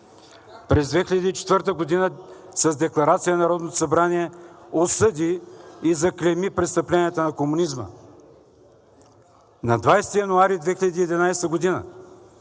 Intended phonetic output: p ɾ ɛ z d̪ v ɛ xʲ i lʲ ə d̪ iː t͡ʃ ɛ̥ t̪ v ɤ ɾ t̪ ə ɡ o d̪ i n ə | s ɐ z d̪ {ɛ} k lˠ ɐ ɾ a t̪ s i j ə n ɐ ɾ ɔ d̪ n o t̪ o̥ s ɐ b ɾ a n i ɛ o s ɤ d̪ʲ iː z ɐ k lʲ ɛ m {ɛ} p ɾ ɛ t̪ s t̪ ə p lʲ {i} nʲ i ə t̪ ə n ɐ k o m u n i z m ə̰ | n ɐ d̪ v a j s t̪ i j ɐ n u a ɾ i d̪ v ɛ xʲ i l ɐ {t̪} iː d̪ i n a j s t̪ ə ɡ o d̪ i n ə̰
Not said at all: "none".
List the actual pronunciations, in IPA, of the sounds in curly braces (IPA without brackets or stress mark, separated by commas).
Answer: ɛ, i, ɛ, d̪